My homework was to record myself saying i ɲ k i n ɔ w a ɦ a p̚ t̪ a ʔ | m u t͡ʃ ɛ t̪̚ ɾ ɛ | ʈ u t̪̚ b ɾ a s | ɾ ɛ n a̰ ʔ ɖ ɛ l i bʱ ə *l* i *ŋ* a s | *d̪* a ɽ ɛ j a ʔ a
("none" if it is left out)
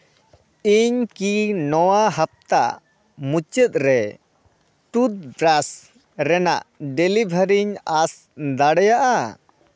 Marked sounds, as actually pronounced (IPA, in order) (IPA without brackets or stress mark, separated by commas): ɾ, ɲ, d̪